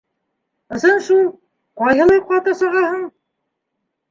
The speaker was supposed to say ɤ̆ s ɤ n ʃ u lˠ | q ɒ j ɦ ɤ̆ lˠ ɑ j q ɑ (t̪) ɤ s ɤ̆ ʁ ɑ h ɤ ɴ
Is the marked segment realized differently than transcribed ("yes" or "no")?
no